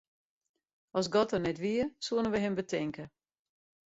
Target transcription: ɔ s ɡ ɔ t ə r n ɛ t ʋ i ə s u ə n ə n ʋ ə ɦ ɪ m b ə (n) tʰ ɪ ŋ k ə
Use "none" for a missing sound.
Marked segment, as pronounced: none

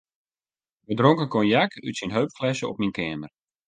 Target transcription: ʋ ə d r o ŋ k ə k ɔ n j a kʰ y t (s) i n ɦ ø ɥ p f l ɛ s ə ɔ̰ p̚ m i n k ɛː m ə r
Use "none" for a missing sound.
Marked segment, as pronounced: s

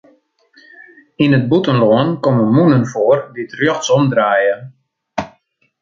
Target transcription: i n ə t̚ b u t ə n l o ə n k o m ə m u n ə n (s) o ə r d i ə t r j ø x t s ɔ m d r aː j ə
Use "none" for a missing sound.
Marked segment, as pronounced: f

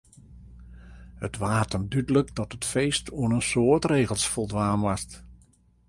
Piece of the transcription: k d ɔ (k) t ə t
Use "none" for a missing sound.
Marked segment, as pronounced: none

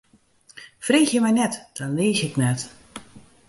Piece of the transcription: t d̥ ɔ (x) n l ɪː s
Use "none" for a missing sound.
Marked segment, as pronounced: none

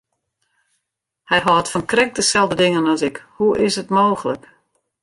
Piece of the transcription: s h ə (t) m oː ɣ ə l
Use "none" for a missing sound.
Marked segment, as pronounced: t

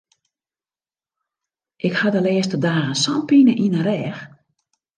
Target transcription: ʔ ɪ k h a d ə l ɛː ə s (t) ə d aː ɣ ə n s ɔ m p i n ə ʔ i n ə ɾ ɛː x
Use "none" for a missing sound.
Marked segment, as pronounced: t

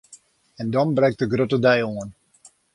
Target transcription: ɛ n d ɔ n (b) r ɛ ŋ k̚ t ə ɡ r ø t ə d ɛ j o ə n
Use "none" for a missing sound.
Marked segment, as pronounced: b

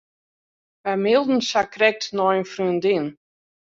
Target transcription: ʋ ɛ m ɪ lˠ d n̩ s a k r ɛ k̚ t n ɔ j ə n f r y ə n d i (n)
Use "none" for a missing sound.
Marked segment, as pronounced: n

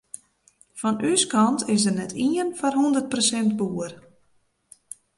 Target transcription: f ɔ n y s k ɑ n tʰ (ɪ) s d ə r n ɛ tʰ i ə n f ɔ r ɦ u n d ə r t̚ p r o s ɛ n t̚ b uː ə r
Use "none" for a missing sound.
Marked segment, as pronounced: ɪ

